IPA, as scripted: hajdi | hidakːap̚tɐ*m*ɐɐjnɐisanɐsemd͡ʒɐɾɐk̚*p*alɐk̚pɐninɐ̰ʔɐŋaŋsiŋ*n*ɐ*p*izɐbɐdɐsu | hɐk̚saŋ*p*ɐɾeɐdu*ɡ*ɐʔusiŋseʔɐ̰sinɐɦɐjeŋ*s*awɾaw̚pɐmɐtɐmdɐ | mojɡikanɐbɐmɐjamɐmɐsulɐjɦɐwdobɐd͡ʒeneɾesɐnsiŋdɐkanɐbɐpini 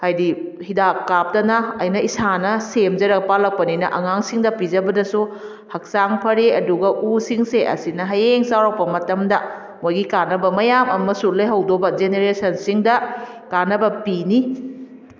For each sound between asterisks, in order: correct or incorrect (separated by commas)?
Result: incorrect, correct, incorrect, correct, incorrect, correct, correct